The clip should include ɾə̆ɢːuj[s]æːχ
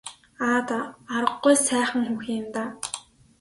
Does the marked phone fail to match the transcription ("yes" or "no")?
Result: no